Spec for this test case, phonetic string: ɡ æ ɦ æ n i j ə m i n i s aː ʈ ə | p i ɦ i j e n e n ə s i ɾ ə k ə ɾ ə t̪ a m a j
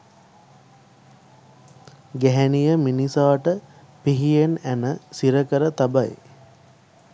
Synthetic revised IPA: ɡ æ ɦ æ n i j ə m i n i s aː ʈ ə | p i ɦ i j e n æ n ə s i ɾ ə k ə ɾ ə t̪ a b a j

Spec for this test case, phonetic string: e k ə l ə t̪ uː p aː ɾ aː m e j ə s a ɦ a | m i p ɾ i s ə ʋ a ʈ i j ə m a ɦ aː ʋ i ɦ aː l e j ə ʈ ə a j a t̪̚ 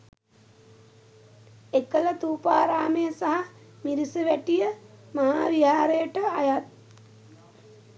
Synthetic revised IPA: e k ə l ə t̪ uː p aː ɾ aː m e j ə s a ɦ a | m i ɾ i s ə ʋ æ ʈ i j ə m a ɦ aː ʋ i ɦ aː ɾ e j ə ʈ ə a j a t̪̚

